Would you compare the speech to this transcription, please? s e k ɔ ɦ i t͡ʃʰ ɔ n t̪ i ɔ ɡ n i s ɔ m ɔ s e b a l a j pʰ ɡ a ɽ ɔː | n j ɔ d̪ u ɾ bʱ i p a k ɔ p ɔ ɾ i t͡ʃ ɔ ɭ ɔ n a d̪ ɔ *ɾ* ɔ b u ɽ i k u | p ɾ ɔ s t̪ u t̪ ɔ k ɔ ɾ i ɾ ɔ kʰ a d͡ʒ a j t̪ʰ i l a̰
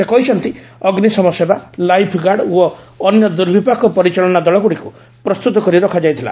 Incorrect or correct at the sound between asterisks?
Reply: incorrect: ɭ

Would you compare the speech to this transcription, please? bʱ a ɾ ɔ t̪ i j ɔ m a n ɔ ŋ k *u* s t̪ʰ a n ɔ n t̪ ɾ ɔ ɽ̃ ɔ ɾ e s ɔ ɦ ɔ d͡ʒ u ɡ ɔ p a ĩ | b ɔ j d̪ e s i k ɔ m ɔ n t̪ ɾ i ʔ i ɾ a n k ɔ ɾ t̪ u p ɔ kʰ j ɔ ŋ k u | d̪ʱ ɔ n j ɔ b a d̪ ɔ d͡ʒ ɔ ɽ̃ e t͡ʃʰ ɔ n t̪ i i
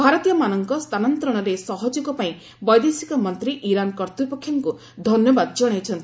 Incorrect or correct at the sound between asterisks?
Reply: incorrect: ɔ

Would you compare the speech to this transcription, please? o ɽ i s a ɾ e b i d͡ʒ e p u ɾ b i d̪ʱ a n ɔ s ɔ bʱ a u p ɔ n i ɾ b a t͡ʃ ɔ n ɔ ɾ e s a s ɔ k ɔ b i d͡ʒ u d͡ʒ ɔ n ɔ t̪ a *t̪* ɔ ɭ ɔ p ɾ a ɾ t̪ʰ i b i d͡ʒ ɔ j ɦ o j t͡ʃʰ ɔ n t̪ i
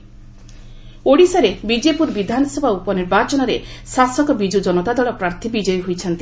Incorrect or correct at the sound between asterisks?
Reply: incorrect: d̪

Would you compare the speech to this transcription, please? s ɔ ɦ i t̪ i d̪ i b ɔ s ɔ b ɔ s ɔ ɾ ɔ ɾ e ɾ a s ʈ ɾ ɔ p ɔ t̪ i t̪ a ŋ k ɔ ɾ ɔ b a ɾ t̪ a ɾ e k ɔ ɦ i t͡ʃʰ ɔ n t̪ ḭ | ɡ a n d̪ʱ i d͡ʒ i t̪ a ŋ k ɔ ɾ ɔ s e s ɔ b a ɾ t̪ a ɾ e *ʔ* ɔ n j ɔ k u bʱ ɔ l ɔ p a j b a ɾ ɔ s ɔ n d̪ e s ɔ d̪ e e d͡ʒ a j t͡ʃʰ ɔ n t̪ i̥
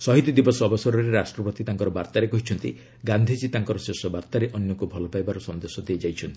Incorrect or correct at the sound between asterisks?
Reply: correct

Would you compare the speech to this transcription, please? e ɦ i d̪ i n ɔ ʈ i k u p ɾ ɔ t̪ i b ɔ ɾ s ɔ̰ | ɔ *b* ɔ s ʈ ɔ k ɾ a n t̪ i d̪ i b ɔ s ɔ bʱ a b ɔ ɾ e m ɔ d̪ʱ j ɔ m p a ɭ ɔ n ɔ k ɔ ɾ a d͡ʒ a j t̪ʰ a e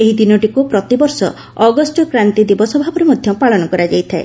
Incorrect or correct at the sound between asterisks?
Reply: incorrect: ɡ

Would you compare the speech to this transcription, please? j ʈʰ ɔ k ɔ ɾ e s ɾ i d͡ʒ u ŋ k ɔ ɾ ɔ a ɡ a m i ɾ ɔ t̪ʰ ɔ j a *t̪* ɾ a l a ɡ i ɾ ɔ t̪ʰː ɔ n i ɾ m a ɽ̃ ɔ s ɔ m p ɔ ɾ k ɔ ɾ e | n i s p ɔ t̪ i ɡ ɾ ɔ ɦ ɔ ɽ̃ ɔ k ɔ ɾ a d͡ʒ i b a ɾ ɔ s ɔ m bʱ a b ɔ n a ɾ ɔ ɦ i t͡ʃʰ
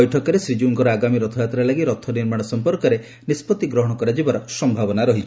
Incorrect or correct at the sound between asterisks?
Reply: correct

